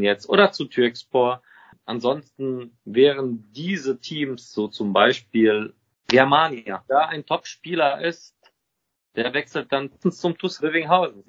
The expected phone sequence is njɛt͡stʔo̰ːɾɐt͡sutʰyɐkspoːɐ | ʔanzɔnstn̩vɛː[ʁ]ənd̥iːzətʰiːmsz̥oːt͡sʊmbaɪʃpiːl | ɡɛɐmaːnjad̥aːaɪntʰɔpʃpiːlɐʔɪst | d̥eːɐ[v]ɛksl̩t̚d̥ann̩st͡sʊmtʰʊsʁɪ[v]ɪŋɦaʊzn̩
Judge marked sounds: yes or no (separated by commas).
yes, yes, yes